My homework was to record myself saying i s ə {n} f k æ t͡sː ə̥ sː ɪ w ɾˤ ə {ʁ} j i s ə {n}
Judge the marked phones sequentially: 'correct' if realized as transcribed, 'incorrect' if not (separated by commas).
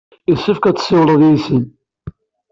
incorrect, incorrect, correct